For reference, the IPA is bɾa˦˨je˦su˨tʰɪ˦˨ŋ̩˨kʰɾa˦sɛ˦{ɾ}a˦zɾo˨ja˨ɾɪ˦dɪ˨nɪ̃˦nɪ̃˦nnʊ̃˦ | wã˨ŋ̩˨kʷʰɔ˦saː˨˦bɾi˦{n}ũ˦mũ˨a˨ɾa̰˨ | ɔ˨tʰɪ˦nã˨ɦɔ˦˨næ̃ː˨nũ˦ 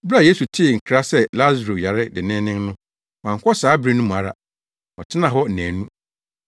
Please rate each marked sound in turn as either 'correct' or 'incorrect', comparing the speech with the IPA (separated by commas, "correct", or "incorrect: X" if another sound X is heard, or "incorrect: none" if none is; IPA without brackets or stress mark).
incorrect: l, correct